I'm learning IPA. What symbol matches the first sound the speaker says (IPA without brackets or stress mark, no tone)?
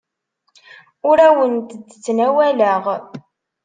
ʊ